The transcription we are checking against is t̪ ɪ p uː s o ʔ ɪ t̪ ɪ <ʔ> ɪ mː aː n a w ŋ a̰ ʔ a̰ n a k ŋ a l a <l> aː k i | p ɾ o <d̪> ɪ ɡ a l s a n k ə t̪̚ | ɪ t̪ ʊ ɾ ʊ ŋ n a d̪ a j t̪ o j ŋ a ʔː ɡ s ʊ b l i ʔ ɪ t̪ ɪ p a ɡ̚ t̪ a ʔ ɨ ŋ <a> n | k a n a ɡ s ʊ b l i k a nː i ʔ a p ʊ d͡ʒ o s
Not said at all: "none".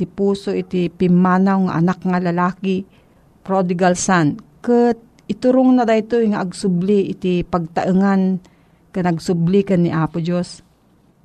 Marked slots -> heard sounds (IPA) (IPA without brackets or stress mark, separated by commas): p, l, d̪, a